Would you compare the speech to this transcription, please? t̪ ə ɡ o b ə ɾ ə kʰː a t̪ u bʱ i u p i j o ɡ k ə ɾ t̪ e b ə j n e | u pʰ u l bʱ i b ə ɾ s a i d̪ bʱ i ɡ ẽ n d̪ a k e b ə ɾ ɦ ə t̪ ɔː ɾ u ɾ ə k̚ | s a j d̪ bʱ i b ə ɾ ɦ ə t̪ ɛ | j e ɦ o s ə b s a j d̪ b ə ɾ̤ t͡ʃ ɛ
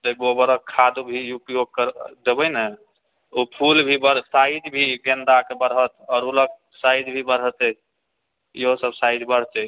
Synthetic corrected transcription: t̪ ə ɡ o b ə ɾ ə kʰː a d̪ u bʱ i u p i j o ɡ k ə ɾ d̪ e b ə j n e | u pʰ u l bʱ i b ə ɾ s a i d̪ bʱ i ɡ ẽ n d̪ a k e b ə ɾ ɦ ə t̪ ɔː ɾ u l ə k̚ | s a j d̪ bʱ i b ə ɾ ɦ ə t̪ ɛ | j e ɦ o s ə b s a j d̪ b ə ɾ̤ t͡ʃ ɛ